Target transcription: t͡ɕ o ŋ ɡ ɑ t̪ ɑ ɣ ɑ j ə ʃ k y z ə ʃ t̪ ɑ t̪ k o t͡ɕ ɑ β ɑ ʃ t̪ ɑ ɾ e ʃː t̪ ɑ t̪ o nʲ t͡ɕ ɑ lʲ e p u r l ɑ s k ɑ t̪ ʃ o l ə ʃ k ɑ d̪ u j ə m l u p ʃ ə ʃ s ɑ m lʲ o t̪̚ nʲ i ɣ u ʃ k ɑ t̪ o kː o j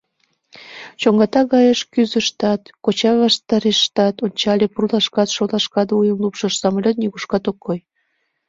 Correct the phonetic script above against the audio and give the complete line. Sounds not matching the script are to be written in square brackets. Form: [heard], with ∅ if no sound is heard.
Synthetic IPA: t͡ɕ o ŋ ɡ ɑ t̪ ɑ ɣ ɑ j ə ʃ k y z ə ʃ t̪ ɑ t̪ k o t͡ɕ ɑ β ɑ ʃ t̪ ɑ ɾ e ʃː t̪ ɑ t̪ o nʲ t͡ɕ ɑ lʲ e p u r l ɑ [ʃ] k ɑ t̪ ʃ o l [ɑ] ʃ k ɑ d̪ u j ə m l u p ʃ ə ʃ s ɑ m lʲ o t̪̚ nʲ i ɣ u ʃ k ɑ t̪ o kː o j